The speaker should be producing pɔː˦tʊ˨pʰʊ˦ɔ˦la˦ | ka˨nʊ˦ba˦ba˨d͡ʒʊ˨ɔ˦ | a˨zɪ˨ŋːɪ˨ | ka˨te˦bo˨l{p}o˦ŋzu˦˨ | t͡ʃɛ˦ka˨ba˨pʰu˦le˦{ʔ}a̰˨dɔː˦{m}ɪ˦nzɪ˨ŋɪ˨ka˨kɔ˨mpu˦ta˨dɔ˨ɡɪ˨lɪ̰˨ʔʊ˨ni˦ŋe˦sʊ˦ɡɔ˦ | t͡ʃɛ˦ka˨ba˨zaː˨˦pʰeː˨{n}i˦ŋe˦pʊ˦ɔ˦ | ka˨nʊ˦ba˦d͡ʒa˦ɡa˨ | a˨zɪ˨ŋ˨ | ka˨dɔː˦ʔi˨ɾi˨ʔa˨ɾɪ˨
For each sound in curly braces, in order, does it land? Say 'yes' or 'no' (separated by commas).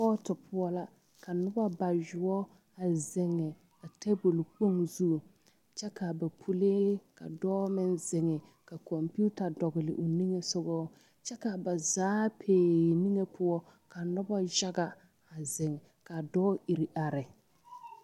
no, no, yes, yes